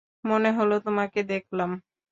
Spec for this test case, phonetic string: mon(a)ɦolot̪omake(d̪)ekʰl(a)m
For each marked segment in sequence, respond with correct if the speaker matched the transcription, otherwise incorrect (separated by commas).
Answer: incorrect, correct, correct